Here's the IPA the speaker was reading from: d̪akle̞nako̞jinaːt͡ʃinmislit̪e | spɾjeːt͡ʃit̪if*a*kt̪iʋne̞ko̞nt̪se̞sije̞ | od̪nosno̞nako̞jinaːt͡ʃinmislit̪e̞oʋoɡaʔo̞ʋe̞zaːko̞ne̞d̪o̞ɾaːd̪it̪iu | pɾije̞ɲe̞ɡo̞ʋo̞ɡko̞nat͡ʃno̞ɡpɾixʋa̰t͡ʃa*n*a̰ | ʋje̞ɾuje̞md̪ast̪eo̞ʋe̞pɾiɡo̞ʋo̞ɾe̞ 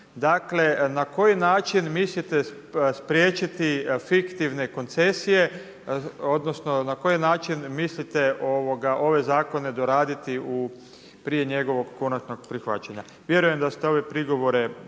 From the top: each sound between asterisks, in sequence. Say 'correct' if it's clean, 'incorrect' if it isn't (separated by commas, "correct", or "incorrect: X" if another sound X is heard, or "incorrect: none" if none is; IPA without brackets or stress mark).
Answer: incorrect: i, incorrect: ɲ